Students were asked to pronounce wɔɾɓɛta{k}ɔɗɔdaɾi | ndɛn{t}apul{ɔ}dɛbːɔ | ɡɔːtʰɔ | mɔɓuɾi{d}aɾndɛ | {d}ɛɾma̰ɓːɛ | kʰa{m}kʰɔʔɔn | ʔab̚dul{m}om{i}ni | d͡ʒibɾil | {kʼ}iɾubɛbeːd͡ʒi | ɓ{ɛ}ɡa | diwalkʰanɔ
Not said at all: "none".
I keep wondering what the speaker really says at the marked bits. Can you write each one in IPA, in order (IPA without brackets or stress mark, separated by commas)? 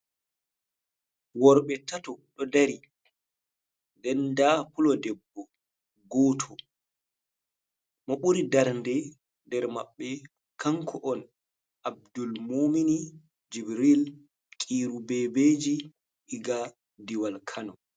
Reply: t, d, ɔ, d, d, ŋ, m, i, kʼ, i